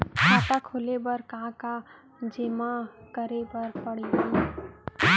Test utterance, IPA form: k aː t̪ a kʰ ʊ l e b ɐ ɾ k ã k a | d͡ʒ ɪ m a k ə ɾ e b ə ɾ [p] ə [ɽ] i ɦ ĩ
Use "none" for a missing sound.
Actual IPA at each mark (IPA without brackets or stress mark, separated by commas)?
p, ɽ